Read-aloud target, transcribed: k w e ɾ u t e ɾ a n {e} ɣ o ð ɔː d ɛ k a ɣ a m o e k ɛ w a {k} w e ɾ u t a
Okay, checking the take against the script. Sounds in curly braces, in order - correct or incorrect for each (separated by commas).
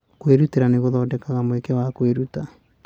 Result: correct, correct